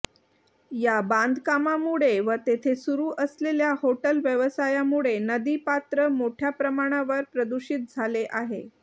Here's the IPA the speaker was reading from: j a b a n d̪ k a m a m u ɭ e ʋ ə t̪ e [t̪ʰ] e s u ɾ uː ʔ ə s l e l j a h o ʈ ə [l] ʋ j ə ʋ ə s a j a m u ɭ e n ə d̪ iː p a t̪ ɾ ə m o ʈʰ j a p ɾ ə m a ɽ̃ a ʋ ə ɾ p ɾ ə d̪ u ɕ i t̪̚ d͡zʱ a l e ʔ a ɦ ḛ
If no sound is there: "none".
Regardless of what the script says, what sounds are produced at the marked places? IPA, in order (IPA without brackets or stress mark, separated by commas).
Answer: t̪ʰ, l